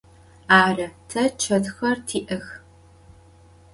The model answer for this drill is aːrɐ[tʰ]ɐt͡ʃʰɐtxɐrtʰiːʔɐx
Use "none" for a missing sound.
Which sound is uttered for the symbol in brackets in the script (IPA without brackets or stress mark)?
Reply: tʰ